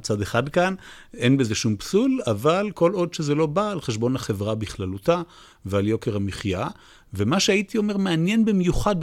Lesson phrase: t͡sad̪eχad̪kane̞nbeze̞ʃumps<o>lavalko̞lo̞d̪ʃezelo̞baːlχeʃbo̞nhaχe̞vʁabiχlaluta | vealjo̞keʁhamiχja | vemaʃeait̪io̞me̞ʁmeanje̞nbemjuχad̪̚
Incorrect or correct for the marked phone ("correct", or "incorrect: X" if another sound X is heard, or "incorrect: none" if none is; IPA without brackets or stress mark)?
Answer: incorrect: u